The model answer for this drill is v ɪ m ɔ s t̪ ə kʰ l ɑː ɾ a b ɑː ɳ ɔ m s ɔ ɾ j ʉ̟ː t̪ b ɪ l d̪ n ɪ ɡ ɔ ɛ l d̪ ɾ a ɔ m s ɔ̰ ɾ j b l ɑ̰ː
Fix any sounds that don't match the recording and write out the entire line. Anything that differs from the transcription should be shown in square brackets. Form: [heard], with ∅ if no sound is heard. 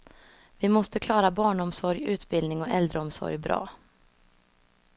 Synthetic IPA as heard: v ɪ m ɔ s t̪ ə kʰ l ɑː ɾ a b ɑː ɳ ɔ m s ɔ ɾ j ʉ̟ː t̪ b ɪ l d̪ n ɪ [ŋ] ɔ ɛ l d̪ ɾ [ə] ɔ m s ɔ̰ ɾ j b [ɾ] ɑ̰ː